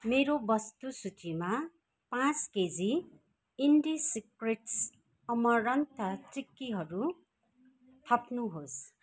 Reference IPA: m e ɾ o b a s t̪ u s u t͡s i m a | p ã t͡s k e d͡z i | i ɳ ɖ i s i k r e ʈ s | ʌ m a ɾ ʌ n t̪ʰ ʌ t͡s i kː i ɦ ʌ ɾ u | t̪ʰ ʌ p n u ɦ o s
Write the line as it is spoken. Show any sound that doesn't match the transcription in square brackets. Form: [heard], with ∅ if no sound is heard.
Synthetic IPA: m e ɾ o b [ʌ] s t̪ u s u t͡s i m a | p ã t͡s k e d͡z i | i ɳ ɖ i s i k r e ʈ s | ʌ m [ʌ] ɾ ʌ n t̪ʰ ʌ t͡s i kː i ɦ ʌ ɾ u | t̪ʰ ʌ p n u ɦ o s